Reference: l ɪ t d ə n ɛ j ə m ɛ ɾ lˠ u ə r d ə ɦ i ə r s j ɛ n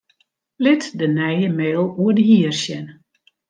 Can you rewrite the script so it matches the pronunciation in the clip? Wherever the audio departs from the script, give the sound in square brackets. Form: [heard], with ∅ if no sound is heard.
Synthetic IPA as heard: l ɪ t d ə n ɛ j ə m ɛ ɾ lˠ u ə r d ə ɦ i ə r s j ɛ n

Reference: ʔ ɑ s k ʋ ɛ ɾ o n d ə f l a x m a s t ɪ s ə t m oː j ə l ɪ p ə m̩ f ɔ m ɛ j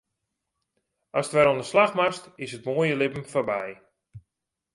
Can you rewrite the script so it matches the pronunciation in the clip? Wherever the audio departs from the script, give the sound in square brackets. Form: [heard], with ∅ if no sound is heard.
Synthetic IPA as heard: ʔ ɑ s [t] ʋ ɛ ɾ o n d ə [s] l a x m a s t ɪ s ə t m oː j ə l ɪ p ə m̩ f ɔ [b] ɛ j

